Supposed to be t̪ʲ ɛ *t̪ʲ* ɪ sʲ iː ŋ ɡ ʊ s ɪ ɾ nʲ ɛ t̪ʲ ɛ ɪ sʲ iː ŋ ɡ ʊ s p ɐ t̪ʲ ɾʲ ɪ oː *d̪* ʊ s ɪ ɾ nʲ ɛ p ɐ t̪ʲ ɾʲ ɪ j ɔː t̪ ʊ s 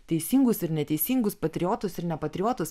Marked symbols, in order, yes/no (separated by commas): no, no